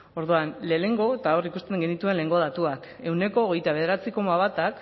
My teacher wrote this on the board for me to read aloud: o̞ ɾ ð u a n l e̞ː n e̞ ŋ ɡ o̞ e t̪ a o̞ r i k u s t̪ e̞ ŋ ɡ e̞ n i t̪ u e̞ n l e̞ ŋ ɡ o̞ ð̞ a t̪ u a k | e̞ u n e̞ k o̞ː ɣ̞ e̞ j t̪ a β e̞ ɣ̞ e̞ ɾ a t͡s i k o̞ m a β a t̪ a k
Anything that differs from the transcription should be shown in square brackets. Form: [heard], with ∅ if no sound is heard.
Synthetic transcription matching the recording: o̞ ɾ ð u a n l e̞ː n e̞ ŋ ɡ o̞ e t̪ a o̞ r i k u s t̪ e̞ ŋ ɡ e̞ n i t̪ u e̞ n l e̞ ŋ ɡ o̞ ð̞ a t̪ u a k | e̞ [w] n e̞ k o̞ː ɣ̞ e̞ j t̪ a β e̞ [ð̞] e̞ ɾ a t͡s i k o̞ m a β a t̪ a k